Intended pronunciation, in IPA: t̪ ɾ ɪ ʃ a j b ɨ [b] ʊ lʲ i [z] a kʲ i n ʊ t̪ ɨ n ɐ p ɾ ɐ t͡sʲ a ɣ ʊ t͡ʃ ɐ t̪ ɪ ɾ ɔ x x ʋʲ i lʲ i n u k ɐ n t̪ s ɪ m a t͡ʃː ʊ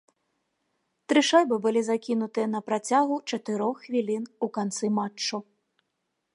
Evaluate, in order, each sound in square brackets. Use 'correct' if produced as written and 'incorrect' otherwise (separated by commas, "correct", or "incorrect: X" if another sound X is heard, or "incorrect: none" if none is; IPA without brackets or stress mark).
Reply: correct, correct